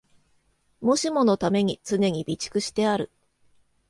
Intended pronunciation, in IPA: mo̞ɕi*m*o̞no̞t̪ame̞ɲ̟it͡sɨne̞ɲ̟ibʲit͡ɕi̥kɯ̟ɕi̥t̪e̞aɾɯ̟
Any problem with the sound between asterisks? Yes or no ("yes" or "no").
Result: no